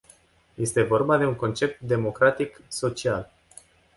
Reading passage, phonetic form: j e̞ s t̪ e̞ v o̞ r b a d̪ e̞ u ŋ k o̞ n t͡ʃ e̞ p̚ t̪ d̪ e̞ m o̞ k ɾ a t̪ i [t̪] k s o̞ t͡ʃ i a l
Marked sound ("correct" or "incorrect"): incorrect